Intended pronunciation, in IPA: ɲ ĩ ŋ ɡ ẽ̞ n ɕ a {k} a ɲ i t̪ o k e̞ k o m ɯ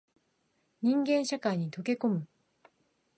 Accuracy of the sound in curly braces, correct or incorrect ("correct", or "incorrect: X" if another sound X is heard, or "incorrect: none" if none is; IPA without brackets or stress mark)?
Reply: correct